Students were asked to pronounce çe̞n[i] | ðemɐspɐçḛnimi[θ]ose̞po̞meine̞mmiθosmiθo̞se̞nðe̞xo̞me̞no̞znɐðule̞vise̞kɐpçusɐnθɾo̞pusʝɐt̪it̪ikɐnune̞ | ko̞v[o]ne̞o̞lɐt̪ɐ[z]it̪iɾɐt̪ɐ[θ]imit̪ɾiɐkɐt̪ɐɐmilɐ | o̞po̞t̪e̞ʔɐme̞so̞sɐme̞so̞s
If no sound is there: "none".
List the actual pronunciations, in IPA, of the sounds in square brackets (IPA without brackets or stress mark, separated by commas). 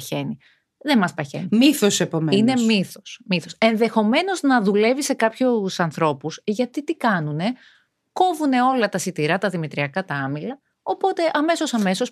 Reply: i, θ, u, s, ð